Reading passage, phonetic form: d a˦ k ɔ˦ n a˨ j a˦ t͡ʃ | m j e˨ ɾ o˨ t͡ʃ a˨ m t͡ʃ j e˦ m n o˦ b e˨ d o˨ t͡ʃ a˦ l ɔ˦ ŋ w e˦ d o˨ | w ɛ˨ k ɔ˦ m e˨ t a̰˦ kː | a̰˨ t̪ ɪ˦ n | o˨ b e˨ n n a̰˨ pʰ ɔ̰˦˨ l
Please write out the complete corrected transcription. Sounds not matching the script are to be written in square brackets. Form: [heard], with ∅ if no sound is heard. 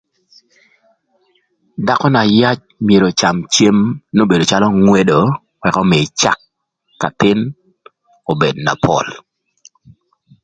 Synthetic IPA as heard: d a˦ k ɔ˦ n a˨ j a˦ t͡ʃ | m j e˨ ɾ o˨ t͡ʃ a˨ m t͡ʃ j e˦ m n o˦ b e˨ d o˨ t͡ʃ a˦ l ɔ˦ ŋ w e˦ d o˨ | w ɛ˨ k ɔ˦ m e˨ [t͡ʃ] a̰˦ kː | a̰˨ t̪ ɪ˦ n | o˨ b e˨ [d] n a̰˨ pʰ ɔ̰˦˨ l